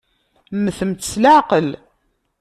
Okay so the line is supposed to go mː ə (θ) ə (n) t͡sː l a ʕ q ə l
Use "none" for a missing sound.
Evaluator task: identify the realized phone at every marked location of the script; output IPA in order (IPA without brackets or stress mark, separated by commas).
θ, m